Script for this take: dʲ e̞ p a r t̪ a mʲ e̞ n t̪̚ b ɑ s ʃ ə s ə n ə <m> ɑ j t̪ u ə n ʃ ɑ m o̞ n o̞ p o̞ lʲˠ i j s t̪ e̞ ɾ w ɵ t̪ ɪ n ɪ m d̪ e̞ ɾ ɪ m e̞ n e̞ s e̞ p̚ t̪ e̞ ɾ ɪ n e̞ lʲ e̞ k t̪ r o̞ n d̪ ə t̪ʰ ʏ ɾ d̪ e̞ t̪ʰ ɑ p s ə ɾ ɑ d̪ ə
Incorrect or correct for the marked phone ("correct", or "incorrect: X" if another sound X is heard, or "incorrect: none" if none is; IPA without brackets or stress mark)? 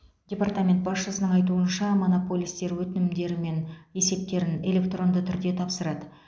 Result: incorrect: ɴ